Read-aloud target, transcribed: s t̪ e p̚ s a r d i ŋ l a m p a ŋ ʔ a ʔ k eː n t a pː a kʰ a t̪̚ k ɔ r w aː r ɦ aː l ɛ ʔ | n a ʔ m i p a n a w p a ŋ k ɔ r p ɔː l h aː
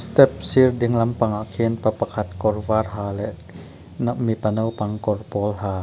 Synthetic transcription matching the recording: s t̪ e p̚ s i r d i ŋ l a m p a ŋ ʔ a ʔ kʰ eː n p a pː a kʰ a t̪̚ k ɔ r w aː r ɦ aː l ɛ ʔ | n a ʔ m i p a n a w p a ŋ k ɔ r p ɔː l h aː